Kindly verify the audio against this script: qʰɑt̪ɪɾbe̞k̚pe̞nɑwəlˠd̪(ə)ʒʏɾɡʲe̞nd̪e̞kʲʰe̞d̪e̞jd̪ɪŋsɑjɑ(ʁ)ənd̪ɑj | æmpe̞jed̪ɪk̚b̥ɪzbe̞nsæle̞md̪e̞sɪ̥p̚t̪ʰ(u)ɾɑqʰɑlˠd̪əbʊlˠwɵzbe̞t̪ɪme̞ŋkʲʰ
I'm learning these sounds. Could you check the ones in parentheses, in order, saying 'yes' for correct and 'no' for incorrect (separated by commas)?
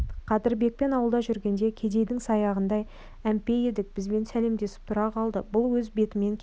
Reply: no, yes, no